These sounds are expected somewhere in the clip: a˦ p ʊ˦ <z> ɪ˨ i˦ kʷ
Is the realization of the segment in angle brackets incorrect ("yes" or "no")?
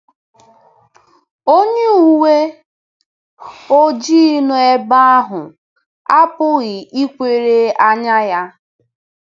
yes